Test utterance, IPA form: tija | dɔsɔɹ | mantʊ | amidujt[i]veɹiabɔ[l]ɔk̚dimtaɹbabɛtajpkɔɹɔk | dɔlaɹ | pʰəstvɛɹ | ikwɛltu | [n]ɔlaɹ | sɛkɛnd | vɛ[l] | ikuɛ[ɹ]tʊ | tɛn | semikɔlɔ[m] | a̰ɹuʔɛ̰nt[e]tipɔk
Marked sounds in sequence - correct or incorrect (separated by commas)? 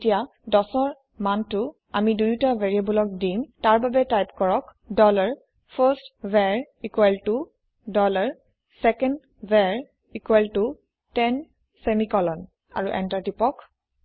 incorrect, correct, incorrect, incorrect, incorrect, incorrect, incorrect